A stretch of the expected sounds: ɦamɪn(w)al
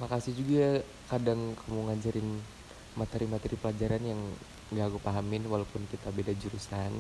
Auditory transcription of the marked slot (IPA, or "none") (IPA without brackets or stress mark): w